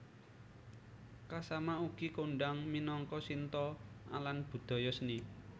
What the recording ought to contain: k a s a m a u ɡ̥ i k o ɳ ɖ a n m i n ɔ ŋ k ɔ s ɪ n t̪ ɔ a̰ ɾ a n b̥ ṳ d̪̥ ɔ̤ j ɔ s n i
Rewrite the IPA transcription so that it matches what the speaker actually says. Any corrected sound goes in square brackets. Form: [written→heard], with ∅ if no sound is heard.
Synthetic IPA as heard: k a s a m a u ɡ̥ i k o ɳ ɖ a [n→ŋ] m i n ɔ ŋ k ɔ s [ɪ→i] n t̪ ɔ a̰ [ɾ→l] a n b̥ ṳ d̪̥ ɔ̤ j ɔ s n i